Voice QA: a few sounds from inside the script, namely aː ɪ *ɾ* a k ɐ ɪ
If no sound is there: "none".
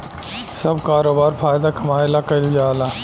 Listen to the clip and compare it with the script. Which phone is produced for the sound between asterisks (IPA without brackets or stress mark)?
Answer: l